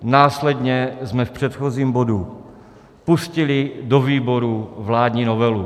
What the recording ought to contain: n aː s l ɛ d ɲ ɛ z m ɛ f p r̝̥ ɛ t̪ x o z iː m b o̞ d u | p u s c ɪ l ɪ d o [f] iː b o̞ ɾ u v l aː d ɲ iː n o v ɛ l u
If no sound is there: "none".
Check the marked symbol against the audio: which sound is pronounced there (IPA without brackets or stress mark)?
v